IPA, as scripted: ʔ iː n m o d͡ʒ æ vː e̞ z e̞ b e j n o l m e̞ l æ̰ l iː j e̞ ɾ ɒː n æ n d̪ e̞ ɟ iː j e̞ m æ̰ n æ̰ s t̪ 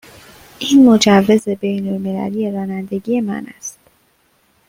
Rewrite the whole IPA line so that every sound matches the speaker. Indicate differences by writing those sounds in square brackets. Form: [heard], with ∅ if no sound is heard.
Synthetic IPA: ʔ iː n m o d͡ʒ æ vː e̞ z e̞ b e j n o l m e̞ l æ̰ l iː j e̞ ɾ ɒː n æ n d̪ e̞ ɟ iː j e̞ m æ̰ n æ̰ s t̪